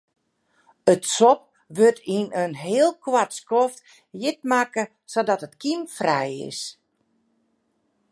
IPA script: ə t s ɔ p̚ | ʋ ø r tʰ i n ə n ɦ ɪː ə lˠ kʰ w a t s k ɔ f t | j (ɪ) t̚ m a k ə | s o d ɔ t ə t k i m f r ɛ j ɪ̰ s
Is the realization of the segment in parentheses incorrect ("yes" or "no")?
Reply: no